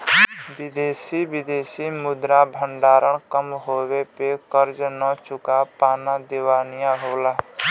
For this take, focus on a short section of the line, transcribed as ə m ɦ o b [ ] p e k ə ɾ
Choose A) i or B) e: B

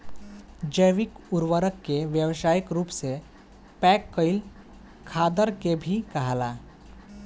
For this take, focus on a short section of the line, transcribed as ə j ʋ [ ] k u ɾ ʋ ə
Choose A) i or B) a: A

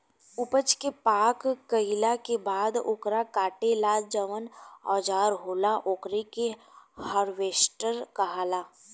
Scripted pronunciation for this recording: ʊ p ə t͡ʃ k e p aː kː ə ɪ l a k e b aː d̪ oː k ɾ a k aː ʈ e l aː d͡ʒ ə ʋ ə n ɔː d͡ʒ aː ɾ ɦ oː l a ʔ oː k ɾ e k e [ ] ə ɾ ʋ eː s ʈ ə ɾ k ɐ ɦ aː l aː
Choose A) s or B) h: B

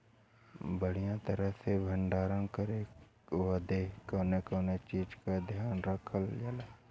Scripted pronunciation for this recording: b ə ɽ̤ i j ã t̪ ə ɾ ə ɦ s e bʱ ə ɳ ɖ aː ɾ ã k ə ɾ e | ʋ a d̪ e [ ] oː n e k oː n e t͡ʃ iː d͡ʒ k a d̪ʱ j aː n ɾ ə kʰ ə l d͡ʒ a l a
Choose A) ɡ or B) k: B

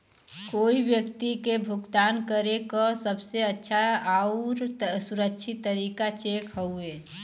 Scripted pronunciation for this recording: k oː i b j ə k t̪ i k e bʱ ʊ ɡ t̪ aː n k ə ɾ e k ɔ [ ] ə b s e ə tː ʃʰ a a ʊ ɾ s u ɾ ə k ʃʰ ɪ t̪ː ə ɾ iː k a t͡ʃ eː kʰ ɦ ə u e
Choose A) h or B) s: B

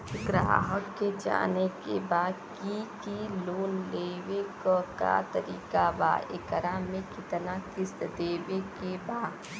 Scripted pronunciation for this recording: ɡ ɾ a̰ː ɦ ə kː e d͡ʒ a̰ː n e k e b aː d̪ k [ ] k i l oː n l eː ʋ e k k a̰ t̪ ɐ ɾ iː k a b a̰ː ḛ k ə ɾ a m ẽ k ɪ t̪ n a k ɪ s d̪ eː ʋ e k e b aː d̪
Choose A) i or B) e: A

